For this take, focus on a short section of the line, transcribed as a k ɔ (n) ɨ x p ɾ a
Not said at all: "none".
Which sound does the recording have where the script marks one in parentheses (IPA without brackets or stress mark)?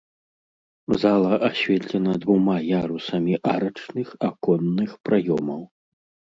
nː